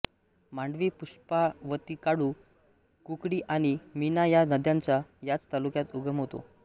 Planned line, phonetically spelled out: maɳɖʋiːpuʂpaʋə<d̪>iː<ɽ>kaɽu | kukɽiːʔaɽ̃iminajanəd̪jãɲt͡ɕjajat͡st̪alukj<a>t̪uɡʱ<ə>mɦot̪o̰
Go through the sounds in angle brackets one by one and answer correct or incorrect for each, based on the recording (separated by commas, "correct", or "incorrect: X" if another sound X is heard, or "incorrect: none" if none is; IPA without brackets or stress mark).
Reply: incorrect: t̪, incorrect: none, correct, correct